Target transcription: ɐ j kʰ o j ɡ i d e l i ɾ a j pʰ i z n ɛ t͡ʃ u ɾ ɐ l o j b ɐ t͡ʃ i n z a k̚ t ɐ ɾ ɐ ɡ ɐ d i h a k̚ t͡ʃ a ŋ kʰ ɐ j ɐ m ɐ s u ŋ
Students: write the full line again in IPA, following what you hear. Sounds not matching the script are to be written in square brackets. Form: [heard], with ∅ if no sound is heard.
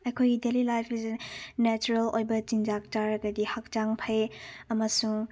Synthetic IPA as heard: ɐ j kʰ o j ɡ i d e l i [l] a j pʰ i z n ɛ t͡ʃ u ɾ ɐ l o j b ɐ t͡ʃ i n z a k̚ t [a] ɾ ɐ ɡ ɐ d i h a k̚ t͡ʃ a ŋ [pʰ] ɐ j ɐ m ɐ s u ŋ